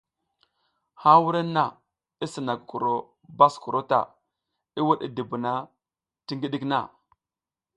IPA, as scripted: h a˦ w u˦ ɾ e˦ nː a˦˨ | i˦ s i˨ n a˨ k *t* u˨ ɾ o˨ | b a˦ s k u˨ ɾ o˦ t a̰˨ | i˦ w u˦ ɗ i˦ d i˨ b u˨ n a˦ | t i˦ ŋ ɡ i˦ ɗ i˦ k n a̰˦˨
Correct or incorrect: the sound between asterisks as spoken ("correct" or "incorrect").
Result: incorrect